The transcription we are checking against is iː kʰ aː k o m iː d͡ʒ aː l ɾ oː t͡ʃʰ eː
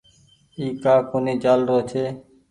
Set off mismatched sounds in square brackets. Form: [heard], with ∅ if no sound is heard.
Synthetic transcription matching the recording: iː [k] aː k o [n] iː d͡ʒ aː l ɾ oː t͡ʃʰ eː